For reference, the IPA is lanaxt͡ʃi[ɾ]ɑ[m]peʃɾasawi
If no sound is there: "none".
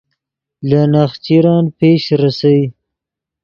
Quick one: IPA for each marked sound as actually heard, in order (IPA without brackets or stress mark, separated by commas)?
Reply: ɾ, n